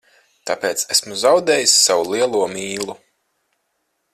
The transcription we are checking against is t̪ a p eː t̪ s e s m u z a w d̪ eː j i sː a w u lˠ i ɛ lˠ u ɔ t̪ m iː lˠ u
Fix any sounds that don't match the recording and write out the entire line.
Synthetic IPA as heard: t̪ a p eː t̪ s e s m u z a w d̪ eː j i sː a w u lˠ i ɛ lˠ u ɔ m iː lˠ u